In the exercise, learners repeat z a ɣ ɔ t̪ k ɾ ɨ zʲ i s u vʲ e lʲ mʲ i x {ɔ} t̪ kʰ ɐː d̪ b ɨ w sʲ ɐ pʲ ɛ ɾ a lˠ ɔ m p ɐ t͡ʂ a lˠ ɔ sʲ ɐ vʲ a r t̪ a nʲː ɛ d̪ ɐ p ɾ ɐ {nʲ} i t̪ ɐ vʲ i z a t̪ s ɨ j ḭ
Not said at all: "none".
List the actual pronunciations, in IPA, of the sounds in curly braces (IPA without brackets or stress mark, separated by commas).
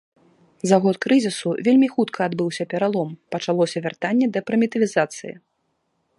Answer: u, mʲ